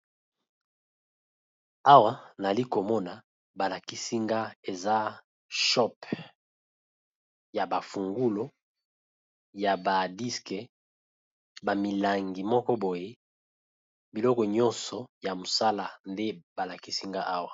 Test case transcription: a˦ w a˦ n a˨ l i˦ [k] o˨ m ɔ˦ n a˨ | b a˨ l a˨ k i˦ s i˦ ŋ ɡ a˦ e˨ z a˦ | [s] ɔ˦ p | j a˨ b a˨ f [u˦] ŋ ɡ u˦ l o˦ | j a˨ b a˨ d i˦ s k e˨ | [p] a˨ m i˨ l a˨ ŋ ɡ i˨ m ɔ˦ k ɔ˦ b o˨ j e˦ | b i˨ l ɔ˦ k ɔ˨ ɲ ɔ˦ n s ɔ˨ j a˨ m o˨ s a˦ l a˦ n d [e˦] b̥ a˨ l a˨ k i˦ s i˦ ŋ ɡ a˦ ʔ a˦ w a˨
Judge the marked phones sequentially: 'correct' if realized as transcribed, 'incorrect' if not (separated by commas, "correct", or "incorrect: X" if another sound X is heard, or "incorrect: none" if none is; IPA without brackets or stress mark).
correct, incorrect: ʃ, incorrect: u˨, incorrect: b, correct